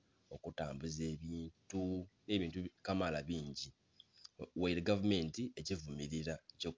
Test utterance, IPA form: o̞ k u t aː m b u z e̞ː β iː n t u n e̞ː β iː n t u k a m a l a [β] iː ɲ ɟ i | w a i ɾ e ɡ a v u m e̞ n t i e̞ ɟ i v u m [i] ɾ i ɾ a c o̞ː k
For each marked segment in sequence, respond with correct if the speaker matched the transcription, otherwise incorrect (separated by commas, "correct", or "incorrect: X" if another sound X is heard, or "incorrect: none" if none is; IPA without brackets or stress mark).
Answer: correct, correct